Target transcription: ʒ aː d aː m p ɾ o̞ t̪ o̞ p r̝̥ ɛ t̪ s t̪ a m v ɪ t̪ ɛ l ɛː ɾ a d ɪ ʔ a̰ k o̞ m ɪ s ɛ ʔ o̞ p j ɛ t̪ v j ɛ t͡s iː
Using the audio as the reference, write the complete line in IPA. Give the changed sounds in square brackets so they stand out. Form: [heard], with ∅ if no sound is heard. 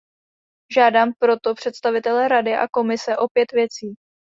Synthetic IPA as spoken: ʒ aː d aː m p ɾ o̞ t̪ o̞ p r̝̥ ɛ t̪ s t̪ a [∅] v ɪ t̪ ɛ l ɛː ɾ a d ɪ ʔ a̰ k o̞ m ɪ s ɛ ʔ o̞ p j ɛ t̪ v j ɛ t͡s iː